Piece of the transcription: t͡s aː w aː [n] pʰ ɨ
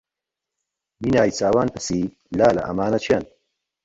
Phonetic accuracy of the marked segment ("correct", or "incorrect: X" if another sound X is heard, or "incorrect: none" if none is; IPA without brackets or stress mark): correct